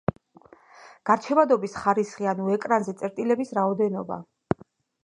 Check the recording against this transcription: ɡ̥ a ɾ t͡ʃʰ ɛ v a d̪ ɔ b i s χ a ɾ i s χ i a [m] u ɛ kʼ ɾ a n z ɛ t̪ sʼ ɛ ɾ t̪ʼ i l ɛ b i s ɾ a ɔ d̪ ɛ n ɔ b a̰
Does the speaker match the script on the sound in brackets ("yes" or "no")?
no